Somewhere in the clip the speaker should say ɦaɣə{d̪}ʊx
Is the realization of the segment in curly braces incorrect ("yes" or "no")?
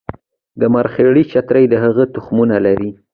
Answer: yes